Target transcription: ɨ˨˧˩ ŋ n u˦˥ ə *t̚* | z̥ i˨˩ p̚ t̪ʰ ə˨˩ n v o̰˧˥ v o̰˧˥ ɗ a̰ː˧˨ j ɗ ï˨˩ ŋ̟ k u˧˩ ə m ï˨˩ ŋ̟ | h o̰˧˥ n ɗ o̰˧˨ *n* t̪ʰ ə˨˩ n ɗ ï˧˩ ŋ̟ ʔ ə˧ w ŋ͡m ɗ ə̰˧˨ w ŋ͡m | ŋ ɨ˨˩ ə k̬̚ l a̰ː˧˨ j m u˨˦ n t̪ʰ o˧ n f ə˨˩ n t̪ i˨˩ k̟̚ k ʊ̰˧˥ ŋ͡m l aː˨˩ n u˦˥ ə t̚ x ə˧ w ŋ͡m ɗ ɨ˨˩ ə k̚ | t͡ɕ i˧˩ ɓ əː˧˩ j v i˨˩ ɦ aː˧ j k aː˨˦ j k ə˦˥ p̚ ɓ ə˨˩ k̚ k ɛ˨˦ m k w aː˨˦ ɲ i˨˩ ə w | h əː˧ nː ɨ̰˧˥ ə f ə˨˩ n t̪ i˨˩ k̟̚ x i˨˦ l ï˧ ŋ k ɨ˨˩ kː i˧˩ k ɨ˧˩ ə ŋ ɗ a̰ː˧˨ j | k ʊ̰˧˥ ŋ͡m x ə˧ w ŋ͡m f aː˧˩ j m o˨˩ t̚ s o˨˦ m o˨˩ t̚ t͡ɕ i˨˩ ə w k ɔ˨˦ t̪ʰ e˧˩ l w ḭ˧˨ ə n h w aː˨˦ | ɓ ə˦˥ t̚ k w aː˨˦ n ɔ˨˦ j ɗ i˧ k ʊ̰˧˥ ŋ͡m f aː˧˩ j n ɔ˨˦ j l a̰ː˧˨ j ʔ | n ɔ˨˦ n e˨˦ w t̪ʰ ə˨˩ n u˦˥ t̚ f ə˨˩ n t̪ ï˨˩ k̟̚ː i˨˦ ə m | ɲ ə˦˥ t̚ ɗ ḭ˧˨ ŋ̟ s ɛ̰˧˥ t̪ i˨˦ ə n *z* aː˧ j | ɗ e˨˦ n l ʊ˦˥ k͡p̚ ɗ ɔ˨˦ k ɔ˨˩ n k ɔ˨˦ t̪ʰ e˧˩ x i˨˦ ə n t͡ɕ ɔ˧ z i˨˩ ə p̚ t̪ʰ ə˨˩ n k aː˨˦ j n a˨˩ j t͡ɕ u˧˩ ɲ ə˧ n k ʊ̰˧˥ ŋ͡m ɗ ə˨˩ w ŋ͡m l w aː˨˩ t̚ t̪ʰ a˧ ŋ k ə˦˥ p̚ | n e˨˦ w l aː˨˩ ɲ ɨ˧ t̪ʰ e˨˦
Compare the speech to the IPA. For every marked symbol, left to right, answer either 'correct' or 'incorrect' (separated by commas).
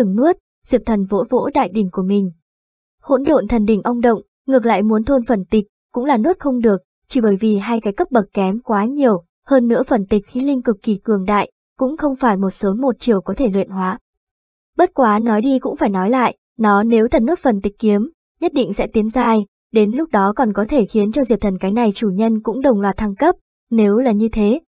correct, correct, correct